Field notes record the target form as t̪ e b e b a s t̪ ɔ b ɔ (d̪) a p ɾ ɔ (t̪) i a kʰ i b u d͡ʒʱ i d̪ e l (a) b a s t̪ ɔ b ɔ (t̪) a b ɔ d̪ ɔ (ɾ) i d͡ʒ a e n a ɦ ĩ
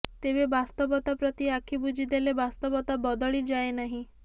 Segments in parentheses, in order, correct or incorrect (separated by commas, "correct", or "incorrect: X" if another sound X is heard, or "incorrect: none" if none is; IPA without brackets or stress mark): incorrect: t̪, correct, incorrect: e, correct, incorrect: ɭ